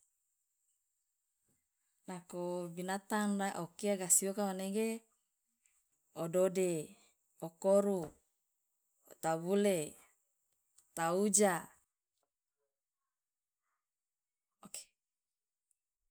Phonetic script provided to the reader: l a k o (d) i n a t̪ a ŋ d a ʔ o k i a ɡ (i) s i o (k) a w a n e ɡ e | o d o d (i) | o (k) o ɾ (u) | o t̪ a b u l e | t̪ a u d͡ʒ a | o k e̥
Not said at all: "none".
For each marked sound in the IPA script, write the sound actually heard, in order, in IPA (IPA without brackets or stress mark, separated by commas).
b, a, k, e, k, u